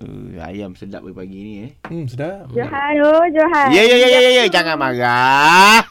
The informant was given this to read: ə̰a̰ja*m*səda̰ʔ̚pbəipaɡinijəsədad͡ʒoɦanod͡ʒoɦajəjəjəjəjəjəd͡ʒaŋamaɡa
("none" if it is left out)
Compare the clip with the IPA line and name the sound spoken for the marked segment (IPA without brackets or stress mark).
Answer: m